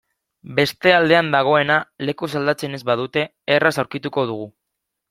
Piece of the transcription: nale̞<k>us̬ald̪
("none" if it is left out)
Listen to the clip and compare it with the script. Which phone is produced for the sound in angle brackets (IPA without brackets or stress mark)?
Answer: k